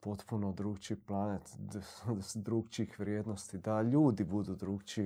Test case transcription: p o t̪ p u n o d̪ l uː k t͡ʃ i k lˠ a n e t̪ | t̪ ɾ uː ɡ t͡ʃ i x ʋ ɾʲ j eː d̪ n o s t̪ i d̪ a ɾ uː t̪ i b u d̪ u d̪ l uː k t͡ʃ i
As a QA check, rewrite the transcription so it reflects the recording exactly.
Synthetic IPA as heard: p o t̪ p u n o d̪ ɾ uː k t͡ʃ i p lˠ a n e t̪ | d̪ ɾ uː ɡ t͡ʃ i x ʋ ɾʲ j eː d̪ n o s t̪ i d̪ a ʎ uː d̪ i b u d̪ u d̪ ɾ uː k t͡ʃ i